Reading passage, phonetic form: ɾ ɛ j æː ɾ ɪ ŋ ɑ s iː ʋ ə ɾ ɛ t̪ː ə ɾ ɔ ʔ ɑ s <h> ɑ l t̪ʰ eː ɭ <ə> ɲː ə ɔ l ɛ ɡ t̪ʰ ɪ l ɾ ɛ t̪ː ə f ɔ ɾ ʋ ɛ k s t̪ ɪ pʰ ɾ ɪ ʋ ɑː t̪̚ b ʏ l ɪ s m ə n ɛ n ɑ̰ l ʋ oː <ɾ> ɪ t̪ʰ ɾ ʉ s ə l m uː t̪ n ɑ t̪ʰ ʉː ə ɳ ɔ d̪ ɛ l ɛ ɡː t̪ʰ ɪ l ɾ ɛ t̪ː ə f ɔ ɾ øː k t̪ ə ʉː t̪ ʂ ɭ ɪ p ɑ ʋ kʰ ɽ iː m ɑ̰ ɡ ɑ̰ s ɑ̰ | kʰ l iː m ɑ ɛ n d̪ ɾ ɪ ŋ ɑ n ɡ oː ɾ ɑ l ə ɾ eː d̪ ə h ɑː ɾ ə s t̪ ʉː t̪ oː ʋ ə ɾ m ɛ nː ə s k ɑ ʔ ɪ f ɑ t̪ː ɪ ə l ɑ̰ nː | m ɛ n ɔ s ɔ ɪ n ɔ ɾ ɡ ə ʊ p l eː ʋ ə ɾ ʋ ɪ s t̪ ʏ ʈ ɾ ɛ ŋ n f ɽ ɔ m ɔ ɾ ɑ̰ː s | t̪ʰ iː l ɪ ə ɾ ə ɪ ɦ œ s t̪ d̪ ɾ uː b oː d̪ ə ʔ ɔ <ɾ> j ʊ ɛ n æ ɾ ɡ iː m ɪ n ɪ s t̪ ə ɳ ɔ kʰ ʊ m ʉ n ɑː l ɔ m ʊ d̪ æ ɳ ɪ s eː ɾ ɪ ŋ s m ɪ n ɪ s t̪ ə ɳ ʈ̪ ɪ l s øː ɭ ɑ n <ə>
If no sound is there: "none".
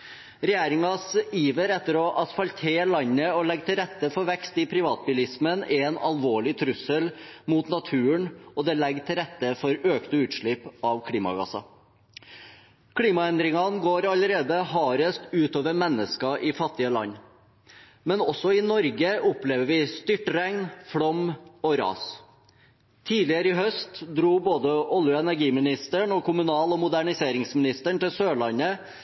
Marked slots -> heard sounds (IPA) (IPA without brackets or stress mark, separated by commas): f, ɑ, ɭ, l, ə